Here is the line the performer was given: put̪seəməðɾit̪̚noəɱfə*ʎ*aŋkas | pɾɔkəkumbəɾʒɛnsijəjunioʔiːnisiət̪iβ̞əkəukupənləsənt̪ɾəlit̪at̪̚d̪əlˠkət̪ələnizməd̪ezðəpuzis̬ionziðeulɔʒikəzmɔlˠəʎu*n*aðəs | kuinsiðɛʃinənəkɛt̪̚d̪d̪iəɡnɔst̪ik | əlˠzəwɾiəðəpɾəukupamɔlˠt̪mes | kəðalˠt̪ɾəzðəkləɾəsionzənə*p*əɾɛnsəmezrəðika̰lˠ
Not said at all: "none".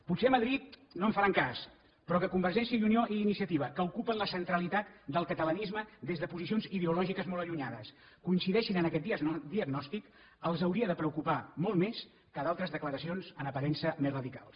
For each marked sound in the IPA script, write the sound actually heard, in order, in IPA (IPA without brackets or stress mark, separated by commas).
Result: ɾ, ɲ, p